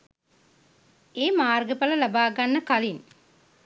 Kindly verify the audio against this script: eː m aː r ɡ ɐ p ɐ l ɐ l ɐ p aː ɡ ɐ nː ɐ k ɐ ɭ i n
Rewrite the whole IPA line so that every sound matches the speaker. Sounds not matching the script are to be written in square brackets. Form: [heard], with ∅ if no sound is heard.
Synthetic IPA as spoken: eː m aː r ɡ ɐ p ɐ l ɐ l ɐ [b] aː ɡ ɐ nː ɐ k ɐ [l] i n